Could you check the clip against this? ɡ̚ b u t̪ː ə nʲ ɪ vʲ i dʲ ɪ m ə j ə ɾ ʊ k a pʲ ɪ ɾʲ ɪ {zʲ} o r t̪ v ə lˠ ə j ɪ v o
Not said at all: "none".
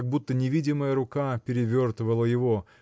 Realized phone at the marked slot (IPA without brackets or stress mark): vʲ